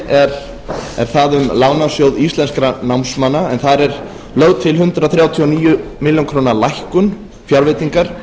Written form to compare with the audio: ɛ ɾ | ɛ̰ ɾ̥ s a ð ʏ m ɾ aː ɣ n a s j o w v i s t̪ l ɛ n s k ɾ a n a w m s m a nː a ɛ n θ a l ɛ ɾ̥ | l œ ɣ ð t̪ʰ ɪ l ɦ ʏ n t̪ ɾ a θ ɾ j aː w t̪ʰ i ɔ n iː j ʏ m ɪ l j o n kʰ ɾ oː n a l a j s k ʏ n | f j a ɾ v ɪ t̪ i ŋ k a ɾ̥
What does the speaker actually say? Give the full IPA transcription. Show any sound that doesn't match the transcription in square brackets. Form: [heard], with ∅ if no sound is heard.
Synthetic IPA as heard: ɛ ɾ | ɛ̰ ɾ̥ [θ] a ð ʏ m [l] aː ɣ n a s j o w [ð] i s t̪ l ɛ n s k ɾ a n a w m s m a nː a ɛ n θ a [ɾ] ɛ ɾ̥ | l œ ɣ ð t̪ʰ ɪ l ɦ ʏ n t̪ ɾ a θ ɾ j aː w t̪ʰ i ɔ n iː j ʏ m ɪ l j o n kʰ ɾ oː n a l a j [h] k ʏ n | f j a ɾ v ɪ t̪ i ŋ k a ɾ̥